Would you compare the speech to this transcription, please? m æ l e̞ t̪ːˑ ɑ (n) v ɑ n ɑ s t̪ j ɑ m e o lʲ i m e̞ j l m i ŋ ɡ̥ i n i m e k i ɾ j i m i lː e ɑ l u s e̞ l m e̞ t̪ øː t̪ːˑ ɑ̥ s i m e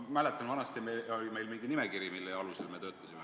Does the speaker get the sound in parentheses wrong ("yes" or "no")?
no